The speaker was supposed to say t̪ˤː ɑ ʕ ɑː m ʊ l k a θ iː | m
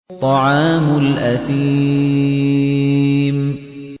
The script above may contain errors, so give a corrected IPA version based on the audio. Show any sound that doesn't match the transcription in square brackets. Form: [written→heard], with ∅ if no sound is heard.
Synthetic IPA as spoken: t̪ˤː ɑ ʕ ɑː m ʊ l [k→ʔ] a θ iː | m

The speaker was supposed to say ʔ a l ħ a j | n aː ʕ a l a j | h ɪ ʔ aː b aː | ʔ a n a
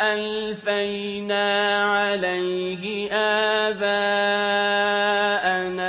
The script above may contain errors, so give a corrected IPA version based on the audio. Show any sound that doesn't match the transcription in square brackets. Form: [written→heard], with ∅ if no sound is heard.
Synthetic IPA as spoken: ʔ a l [ħ→f] a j | n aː ʕ a l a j | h ɪ ʔ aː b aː | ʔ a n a

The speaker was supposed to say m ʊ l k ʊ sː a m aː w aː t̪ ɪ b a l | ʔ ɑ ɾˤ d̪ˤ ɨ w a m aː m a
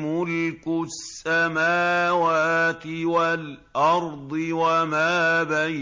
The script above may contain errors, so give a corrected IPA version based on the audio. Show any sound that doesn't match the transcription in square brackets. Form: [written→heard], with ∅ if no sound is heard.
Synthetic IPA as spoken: m ʊ l k ʊ sː a m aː w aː t̪ ɪ [b→w] a l | ʔ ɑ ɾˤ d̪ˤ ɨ w a m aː [m→b] a

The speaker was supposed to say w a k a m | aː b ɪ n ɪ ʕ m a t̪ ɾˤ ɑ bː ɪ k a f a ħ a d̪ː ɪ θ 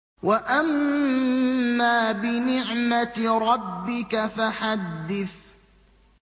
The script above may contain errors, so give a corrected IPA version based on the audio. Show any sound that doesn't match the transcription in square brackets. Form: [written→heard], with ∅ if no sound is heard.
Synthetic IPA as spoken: w a [k→ʔ] a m | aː b ɪ n ɪ ʕ m a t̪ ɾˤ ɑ bː ɪ k a f a ħ a d̪ː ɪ θ

